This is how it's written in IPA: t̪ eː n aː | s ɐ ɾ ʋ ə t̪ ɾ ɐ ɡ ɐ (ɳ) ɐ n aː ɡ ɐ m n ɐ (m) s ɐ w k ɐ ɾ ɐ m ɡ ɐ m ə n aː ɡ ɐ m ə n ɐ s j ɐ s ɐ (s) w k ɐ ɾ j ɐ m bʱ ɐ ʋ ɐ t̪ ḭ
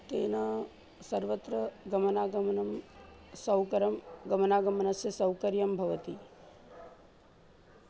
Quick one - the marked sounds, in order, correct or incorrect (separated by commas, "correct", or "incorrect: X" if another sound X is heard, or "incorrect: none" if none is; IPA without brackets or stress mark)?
incorrect: m, correct, incorrect: none